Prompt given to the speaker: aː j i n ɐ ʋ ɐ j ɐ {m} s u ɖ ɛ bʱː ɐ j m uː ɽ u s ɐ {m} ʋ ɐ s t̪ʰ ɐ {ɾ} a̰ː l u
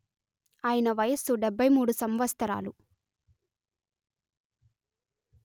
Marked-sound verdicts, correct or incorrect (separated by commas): incorrect, correct, correct